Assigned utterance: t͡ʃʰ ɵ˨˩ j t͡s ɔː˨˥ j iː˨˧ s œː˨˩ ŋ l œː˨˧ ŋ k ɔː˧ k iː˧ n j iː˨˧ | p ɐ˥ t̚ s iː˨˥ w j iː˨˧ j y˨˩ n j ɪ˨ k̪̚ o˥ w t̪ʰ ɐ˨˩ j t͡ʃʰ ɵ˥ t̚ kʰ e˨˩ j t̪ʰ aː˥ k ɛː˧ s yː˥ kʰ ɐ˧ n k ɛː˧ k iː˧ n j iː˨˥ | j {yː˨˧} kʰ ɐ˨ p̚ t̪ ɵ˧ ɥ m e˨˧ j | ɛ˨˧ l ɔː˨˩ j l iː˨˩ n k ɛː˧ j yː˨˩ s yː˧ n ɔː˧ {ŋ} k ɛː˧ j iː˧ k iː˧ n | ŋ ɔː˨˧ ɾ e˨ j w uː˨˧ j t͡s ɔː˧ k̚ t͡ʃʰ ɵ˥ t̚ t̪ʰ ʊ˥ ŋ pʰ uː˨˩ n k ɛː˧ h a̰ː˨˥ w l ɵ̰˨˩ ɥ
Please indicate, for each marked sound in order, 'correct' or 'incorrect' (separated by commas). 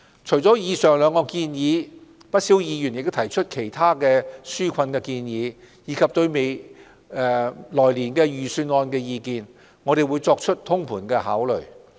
incorrect, incorrect